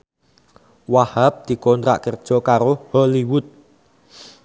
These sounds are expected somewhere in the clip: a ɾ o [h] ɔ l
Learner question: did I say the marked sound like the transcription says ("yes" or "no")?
yes